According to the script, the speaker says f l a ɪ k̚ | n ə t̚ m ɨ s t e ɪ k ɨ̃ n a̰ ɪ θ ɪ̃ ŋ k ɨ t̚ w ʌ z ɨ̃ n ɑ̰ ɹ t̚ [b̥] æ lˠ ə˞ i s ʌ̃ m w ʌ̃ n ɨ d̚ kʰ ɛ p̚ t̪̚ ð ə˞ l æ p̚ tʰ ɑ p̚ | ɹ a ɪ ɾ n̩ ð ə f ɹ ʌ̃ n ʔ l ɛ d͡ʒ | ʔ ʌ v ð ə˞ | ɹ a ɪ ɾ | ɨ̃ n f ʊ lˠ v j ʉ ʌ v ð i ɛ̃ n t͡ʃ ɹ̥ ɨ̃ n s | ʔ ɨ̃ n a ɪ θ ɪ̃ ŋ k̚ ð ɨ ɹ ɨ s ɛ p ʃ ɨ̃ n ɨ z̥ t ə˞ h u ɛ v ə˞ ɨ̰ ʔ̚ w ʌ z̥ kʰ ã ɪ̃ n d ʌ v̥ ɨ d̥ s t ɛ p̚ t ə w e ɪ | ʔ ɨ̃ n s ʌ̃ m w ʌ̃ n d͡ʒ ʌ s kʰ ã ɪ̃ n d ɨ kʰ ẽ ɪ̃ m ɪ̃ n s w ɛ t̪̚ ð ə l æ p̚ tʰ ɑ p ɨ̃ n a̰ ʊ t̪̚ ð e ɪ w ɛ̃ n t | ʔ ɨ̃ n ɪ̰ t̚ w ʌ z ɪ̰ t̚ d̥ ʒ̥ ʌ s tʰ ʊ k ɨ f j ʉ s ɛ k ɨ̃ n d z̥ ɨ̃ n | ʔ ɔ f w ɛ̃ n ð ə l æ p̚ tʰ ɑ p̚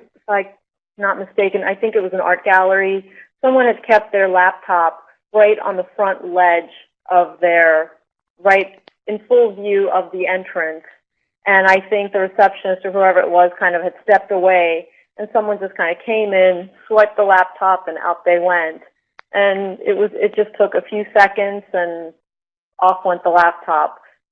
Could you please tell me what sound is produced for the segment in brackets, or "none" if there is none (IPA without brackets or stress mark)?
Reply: ɡ̥